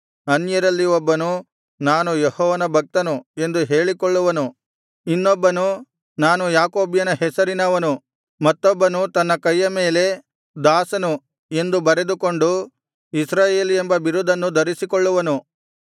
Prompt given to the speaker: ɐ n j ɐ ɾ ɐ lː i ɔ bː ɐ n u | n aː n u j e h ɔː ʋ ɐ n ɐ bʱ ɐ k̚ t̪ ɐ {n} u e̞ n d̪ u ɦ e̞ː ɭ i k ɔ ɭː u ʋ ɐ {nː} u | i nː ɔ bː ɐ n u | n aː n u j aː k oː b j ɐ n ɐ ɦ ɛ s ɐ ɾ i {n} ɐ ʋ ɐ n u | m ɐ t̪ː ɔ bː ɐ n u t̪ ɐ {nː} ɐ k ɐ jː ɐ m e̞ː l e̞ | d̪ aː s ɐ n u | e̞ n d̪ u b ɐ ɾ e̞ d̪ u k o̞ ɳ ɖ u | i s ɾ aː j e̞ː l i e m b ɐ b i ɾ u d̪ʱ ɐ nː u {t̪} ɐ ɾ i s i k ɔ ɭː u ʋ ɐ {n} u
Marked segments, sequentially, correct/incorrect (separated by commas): correct, incorrect, correct, correct, incorrect, correct